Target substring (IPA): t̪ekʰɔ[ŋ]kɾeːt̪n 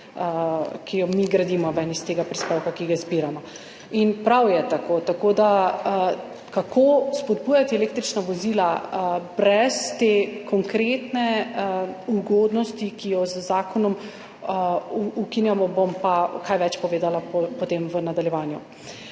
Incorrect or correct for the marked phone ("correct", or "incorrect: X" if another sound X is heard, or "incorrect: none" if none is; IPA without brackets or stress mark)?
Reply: correct